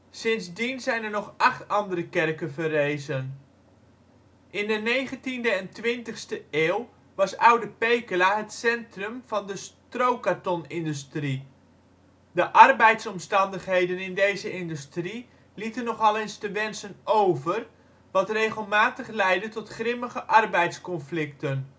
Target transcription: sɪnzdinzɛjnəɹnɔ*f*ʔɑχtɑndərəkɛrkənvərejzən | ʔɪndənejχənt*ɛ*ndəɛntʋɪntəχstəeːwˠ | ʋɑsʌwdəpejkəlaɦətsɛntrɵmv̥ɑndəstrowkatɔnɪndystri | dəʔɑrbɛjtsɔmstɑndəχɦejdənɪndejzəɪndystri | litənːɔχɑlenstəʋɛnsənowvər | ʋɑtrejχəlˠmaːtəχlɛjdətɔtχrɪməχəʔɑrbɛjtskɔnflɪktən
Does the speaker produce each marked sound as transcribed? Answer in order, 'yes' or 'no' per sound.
no, no

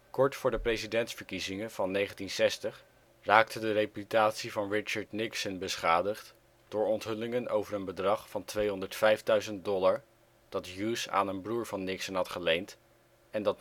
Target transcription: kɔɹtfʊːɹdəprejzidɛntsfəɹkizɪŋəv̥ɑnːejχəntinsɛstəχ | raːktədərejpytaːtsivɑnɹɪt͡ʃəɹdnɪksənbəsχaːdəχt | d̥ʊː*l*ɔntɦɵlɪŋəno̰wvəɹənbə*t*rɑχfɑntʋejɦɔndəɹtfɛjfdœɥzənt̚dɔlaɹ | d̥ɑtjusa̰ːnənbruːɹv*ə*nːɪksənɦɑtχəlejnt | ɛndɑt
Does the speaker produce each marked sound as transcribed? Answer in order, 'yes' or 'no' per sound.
no, no, no

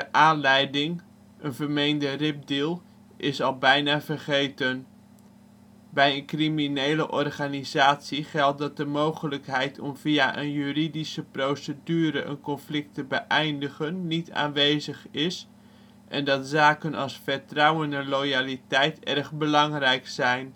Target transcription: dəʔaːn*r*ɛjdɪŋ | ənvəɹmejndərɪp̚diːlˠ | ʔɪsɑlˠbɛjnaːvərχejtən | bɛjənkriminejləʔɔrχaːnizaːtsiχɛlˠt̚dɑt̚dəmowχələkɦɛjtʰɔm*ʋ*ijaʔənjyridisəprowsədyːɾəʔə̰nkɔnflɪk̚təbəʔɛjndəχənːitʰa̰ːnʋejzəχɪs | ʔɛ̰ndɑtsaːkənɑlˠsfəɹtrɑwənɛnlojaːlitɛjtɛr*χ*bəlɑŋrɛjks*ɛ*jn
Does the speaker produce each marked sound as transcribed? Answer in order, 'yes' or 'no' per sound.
no, no, yes, yes

